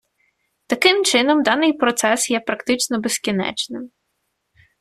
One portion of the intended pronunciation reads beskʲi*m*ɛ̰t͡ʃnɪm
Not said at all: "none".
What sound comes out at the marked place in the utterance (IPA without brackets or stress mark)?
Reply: n